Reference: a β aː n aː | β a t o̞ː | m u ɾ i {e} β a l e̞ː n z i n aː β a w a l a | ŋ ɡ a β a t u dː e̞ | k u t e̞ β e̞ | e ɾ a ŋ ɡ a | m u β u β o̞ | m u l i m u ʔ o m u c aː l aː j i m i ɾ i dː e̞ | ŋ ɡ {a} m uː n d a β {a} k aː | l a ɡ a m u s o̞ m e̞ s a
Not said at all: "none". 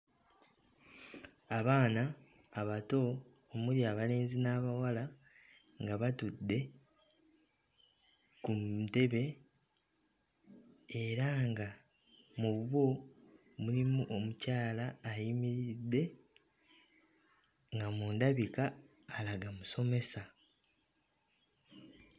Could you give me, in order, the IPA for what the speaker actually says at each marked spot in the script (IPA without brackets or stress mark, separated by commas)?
a, a, i